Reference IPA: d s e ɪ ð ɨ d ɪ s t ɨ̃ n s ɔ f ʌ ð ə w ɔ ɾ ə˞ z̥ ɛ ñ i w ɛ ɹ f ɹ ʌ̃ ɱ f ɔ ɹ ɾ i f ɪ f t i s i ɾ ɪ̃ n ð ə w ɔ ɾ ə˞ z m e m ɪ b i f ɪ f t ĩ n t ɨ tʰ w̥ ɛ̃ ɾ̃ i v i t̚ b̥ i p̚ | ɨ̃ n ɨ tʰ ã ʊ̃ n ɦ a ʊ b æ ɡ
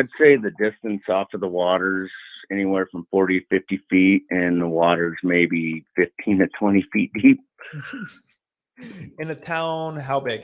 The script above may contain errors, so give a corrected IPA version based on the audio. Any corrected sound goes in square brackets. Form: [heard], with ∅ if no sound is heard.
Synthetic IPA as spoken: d s e ɪ ð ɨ d ɪ s t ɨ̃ n s ɔ f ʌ ð ə w ɔ ɾ ə˞ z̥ ɛ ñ i w ɛ ɹ f ɹ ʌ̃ ɱ f ɔ ɹ ɾ i f ɪ f t i [f] i ɾ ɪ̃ n ð ə w ɔ ɾ ə˞ z m e [∅] ɪ b i f ɪ f [tʰ] ĩ n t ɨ tʰ w̥ ɛ̃ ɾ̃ i [f] i t̚ [d̥] i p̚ | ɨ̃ n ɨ tʰ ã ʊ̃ n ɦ a ʊ b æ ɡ